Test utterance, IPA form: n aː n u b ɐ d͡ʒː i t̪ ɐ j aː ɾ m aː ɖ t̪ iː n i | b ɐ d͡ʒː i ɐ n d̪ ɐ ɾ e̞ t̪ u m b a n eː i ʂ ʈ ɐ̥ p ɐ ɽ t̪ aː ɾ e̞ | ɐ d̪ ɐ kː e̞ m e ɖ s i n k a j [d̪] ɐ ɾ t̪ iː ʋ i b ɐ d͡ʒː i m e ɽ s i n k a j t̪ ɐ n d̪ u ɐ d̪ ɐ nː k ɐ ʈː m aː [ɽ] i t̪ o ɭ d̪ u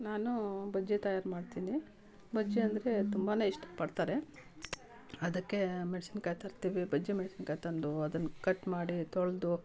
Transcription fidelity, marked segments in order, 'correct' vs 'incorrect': incorrect, correct

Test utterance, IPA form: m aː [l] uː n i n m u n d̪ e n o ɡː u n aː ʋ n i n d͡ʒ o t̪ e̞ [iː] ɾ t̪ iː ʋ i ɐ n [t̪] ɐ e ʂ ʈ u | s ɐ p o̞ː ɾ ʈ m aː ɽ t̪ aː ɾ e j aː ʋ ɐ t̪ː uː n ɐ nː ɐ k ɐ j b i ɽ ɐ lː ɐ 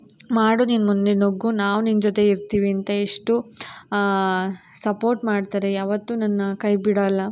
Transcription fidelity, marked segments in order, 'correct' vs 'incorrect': incorrect, incorrect, correct

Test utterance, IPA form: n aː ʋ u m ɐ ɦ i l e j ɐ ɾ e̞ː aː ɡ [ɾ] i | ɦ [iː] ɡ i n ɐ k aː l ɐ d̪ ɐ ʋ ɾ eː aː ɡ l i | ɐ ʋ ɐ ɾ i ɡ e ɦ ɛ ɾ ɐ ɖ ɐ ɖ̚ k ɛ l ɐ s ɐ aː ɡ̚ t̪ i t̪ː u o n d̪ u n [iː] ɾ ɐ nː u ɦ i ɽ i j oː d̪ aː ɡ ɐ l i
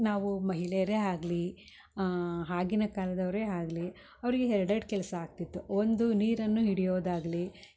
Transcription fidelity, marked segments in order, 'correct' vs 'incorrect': incorrect, incorrect, correct

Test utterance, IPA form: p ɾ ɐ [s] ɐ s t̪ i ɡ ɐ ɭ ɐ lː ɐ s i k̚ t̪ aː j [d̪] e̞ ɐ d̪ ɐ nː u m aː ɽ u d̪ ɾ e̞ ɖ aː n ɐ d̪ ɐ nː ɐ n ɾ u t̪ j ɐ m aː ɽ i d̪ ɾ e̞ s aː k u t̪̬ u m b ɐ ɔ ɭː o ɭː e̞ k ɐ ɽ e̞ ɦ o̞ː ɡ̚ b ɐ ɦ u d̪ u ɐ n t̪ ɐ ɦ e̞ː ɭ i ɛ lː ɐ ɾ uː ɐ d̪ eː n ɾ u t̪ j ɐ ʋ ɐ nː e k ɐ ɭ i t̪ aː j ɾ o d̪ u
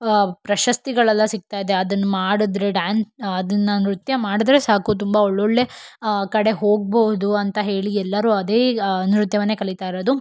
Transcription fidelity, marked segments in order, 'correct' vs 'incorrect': incorrect, correct

